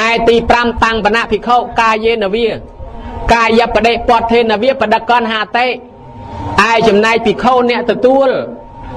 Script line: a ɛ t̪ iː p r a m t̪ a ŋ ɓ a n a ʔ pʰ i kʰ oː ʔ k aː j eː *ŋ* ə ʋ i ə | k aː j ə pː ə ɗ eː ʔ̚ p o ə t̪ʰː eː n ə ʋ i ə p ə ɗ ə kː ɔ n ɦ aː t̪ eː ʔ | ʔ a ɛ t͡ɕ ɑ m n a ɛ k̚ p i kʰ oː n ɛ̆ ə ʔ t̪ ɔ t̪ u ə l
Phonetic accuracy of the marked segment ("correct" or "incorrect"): incorrect